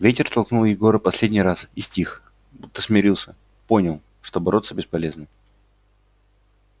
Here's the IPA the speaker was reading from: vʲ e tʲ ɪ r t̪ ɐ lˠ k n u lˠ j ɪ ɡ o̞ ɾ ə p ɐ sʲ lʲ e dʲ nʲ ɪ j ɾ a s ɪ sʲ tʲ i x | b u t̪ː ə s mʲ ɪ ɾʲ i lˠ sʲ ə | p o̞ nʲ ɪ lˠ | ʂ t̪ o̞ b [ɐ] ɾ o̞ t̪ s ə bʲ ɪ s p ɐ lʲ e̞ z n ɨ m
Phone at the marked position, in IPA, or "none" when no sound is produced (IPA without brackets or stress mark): ɐ